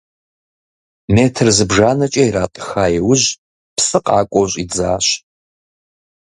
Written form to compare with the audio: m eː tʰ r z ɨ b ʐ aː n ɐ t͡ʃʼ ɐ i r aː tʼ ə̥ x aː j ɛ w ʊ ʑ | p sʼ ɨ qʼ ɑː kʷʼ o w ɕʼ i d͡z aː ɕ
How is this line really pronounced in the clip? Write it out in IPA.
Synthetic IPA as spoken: m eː tʰ r z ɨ b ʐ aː n ɐ t͡ʃʼ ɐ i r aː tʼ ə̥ x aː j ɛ w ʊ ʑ | p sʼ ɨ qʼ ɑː kʷʼ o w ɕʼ i d͡z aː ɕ